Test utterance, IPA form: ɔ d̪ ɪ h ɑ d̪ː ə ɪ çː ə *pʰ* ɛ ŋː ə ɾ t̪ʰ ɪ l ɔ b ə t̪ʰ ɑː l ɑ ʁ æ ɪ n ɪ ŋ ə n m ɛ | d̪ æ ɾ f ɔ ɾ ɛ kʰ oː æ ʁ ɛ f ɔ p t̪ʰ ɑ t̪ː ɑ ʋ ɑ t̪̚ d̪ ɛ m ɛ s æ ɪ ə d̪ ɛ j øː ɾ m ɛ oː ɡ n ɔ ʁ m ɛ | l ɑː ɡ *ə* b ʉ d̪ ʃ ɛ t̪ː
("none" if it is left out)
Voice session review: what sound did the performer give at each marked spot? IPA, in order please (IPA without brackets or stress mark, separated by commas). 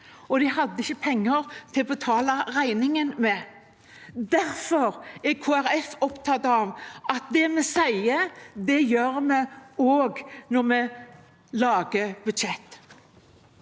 pʰ, ə